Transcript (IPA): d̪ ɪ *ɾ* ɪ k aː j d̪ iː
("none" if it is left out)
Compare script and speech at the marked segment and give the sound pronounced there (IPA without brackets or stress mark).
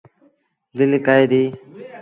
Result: l